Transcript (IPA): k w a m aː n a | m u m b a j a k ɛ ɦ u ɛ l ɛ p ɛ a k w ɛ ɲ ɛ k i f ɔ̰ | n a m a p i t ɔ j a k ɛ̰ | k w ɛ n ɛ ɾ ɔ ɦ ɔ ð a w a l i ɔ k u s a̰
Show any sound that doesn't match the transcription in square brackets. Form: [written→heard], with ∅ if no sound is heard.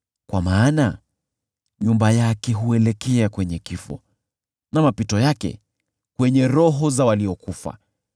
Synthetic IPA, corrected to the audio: k w a m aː n a | [m→ɲ] u m b a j a k ɛ ɦ u ɛ l ɛ [p→k] ɛ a k w ɛ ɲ ɛ k i f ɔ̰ | n a m a p i t ɔ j a k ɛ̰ | k w ɛ [n→ɲ] ɛ ɾ ɔ ɦ ɔ [ð→z] a w a l i ɔ k u [s→f] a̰